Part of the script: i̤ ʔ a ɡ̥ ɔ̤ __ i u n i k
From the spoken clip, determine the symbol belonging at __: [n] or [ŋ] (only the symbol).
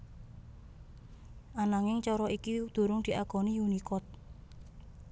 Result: n